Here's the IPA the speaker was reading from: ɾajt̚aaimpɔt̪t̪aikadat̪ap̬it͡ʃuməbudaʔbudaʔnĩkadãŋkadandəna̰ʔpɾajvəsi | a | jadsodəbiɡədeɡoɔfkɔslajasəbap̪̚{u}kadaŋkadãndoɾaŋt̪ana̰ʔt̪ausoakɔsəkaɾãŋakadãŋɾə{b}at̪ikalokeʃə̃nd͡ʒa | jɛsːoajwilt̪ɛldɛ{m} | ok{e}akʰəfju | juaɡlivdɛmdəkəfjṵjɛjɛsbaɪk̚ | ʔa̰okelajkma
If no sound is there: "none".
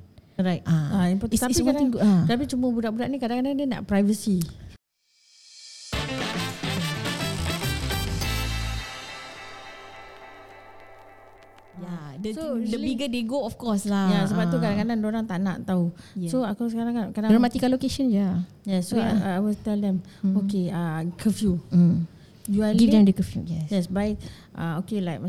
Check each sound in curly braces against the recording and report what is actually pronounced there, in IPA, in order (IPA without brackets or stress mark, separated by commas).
u, m, m, e